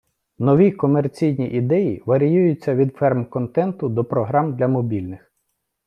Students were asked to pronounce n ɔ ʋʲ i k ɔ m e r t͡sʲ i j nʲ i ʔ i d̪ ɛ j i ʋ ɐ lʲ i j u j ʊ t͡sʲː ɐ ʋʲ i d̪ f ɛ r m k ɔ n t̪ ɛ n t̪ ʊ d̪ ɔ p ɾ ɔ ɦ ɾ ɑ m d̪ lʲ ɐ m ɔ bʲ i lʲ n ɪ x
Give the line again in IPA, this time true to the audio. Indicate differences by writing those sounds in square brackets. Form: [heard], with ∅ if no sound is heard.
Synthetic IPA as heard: n ɔ ʋʲ i k ɔ m e r t͡sʲ i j nʲ i ʔ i d̪ ɛ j i ʋ ɐ [ɾʲ] i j u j ʊ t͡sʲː ɐ ʋʲ i d̪ f ɛ r m k ɔ n t̪ ɛ n t̪ ʊ d̪ ɔ p ɾ ɔ ɦ ɾ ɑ m d̪ lʲ ɐ m ɔ bʲ i lʲ n ɪ x

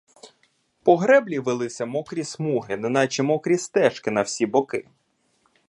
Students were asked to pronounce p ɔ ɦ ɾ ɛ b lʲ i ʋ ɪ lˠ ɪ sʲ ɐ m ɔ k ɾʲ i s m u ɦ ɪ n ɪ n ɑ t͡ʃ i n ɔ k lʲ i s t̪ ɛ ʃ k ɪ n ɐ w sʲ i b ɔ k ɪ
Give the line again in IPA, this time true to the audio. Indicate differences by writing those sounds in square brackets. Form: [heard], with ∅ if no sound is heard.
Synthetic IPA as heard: p ɔ ɦ ɾ ɛ b lʲ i ʋ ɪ lˠ ɪ sʲ ɐ m ɔ k ɾʲ i s m u ɦ ɪ n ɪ n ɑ t͡ʃ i [m] ɔ k [ɾʲ] i s t̪ ɛ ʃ k ɪ n ɐ w sʲ i b ɔ k ɪ

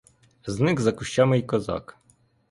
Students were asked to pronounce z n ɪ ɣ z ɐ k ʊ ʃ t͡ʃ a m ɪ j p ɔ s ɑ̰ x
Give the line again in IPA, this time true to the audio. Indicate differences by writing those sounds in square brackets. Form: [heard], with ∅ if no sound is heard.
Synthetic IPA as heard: z n ɪ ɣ z ɐ k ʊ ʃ t͡ʃ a m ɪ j [k] ɔ [z] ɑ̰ [k]

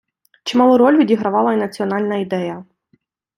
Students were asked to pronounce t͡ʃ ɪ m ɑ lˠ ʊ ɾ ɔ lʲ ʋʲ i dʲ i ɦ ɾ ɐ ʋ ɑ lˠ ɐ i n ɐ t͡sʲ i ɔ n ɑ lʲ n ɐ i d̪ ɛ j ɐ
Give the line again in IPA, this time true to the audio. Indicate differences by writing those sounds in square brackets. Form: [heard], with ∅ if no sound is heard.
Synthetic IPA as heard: t͡ʃ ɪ m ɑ lˠ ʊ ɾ ɔ lʲ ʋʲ i dʲ i ɦ ɾ ɐ ʋ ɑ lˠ ɐ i n ɐ t͡sʲ i ɔ n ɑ lʲ n ɐ i d̪ ɛ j ɐ

